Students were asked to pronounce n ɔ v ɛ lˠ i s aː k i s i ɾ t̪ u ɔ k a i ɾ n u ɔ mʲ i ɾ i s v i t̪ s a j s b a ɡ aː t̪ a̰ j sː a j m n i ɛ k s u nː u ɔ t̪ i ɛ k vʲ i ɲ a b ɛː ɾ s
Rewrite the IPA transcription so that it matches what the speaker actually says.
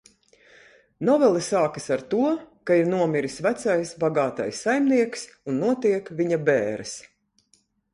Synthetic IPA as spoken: n ɔ v ɛ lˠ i s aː k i s a ɾ t̪ u ɔ k a i ɾ n u ɔ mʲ i ɾ i s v æ t̪ s a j s b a ɡ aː t̪ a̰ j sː a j m n i ɛ k s u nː u ɔ t̪ i ɛ k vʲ i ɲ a b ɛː ɾ s